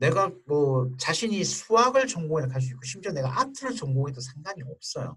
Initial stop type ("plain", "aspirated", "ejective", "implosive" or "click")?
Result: plain